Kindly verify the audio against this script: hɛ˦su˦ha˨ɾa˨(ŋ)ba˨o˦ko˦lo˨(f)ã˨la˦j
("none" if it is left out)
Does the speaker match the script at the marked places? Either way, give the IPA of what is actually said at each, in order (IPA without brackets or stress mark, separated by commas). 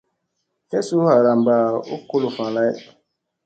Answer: m, f